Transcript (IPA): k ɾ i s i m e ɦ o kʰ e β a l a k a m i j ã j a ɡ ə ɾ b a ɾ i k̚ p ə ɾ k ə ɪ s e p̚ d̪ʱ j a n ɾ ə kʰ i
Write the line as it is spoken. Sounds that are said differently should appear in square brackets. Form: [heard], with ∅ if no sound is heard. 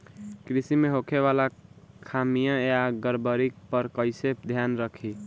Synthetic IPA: k ɾ i s i m e ɦ o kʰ e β a l a [kʰ] a m i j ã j a ɡ ə ɾ b [ə] ɾ i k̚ p ə ɾ k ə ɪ s e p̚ d̪ʱ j a n ɾ ə kʰ i